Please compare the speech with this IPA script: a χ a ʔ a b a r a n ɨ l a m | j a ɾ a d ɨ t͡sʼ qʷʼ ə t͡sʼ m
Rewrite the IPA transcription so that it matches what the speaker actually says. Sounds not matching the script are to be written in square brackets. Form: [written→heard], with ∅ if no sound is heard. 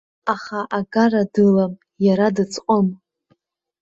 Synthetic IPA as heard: a χ a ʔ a [b→ɡ] a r a [n→d] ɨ l a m | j a ɾ a d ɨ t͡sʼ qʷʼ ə [t͡sʼ→∅] m